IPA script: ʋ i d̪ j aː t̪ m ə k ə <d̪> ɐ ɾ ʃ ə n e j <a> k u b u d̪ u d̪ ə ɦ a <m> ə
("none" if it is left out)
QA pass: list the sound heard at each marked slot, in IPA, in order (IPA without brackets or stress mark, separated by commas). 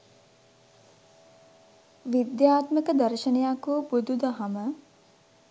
d̪, a, m